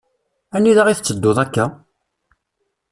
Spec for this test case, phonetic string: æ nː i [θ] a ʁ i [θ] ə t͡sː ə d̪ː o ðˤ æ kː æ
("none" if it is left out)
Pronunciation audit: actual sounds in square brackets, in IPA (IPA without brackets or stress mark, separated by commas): ð, θ